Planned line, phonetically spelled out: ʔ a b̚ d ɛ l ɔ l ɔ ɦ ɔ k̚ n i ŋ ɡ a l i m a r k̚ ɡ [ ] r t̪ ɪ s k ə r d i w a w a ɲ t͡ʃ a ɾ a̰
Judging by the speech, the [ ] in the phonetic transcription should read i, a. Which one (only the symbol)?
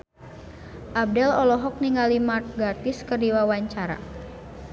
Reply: a